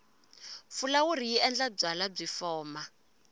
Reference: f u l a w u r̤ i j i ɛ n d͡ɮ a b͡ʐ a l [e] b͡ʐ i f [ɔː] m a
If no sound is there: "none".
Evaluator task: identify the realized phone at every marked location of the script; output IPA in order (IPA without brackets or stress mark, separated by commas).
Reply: a, ɔː